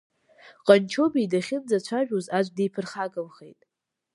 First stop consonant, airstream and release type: ejective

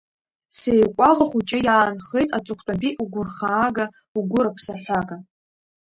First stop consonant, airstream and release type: ejective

